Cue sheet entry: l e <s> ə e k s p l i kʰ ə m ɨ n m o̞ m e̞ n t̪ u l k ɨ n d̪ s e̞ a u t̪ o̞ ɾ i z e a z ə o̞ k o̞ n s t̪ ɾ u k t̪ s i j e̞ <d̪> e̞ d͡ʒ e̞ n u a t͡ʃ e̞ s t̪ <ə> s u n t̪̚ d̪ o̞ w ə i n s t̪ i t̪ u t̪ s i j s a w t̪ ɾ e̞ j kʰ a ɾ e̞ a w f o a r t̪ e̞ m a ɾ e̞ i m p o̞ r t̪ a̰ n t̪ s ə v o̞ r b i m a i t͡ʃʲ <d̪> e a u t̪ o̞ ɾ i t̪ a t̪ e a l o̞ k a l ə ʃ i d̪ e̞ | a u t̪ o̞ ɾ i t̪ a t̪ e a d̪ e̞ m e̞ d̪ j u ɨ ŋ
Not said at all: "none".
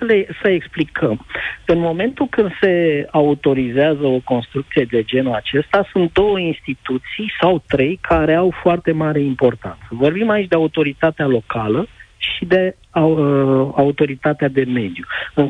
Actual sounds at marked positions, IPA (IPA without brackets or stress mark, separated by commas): s, d̪, a, d̪